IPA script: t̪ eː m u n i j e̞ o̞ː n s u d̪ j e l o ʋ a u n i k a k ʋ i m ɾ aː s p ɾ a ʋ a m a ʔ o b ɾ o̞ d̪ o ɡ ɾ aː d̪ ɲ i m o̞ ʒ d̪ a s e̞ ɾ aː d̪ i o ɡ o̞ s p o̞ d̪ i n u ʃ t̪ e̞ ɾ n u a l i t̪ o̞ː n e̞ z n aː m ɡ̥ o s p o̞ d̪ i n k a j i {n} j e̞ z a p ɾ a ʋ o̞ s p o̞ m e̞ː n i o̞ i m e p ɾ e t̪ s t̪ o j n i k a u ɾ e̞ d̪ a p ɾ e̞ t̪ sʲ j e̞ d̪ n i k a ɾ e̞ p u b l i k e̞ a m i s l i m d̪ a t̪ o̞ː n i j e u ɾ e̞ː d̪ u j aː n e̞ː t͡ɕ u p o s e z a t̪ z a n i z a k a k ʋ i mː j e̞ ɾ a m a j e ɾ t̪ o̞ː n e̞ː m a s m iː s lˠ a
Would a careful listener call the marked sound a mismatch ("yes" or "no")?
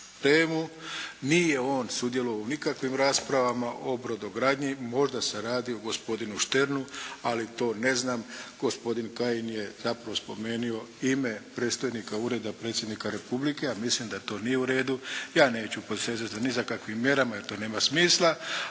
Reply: no